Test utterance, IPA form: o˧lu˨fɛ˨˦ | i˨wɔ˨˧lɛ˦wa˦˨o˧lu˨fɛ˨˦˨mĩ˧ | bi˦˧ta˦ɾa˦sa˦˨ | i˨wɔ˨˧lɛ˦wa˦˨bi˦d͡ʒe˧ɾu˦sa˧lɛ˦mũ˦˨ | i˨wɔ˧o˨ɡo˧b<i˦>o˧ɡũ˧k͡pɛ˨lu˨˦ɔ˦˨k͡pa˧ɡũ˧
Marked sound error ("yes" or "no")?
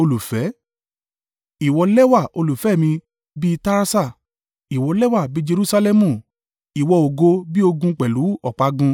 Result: no